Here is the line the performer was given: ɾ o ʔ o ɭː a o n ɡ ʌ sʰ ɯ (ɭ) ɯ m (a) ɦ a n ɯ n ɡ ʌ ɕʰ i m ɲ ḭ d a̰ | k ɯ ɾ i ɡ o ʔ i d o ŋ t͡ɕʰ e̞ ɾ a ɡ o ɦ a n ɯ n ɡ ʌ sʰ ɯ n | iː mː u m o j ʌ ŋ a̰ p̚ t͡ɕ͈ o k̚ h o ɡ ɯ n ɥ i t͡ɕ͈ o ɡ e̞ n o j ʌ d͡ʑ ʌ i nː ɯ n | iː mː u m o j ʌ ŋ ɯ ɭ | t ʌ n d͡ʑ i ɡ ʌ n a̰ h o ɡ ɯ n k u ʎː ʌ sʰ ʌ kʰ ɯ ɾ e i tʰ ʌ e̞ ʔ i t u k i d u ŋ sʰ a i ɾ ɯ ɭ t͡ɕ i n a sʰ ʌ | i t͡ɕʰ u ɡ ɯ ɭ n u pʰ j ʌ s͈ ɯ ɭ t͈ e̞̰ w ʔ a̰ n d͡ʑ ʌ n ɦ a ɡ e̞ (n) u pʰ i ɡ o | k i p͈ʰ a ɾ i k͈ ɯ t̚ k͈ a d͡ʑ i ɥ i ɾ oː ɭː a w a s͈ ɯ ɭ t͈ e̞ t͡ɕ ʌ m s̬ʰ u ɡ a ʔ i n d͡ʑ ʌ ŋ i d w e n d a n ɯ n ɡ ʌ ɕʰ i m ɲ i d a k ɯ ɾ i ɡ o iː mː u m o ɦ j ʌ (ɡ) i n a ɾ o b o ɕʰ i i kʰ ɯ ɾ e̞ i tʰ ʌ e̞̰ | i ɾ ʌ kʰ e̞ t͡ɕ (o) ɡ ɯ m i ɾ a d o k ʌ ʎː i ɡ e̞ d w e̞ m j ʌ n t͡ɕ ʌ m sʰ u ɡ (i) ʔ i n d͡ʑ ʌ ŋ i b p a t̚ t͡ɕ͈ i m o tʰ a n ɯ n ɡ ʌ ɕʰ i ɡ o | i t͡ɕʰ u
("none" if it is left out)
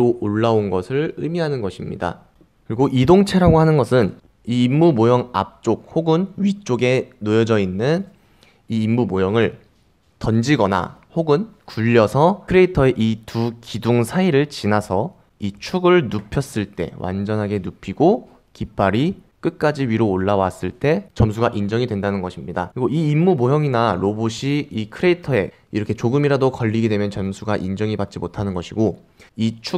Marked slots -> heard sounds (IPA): ɭ, i, n, ŋ, o, a

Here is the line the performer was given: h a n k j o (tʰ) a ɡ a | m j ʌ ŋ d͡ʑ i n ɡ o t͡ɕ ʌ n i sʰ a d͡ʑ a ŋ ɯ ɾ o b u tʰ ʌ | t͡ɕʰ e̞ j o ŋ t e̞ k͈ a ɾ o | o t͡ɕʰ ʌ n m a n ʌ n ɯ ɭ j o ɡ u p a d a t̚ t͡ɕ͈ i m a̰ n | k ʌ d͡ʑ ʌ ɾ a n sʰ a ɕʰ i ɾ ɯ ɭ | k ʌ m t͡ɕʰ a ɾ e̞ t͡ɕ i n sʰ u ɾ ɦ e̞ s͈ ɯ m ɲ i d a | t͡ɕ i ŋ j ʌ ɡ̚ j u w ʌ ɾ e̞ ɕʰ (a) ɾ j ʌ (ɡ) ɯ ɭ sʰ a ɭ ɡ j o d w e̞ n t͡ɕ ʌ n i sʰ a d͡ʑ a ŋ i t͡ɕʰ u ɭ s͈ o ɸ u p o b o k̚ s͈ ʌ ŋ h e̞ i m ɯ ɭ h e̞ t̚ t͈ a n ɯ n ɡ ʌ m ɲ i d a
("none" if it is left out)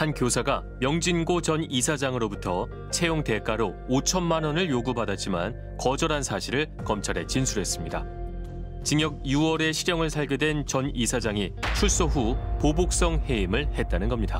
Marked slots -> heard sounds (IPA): sʰ, i, ŋ

